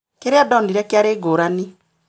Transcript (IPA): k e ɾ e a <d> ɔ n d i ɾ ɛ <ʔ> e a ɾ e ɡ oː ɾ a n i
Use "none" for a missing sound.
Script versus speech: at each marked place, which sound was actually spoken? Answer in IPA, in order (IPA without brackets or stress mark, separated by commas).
d, k